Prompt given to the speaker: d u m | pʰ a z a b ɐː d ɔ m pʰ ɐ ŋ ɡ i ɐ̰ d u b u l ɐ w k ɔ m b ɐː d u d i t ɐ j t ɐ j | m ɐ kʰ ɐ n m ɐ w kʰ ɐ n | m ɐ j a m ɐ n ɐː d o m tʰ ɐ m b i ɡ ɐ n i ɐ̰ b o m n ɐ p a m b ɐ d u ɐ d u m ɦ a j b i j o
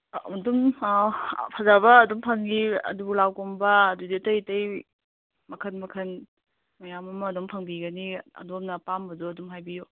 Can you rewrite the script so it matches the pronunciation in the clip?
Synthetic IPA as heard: d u m | pʰ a z a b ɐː d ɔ m pʰ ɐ ŋ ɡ i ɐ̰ d u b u l a w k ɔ m b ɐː d u d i t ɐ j t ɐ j | m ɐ kʰ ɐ n m ɐ kʰ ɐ n | m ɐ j a m ɐ m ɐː d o m pʰ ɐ ŋ b i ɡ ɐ n i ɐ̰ d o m n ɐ p a m b ɐ d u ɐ d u m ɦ a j b i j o